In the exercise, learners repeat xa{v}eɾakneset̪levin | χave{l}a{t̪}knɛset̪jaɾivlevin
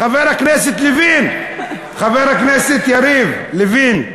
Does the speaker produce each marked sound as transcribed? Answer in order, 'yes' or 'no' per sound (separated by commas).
yes, no, no